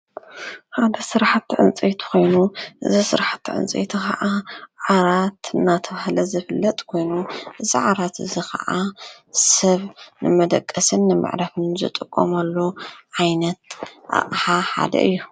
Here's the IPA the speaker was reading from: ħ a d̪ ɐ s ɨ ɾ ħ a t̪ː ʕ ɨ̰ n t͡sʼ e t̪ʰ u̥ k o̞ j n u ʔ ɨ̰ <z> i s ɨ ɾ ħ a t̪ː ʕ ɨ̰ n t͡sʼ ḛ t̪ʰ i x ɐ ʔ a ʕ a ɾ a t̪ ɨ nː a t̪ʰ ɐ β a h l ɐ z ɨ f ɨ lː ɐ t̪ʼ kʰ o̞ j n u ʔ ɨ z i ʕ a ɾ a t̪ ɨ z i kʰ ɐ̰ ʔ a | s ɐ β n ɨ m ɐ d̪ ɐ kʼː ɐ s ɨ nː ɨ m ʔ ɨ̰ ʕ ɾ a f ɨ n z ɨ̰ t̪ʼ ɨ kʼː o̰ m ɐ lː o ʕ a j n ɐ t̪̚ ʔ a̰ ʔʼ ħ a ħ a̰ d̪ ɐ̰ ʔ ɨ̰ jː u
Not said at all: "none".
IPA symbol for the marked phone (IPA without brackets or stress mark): z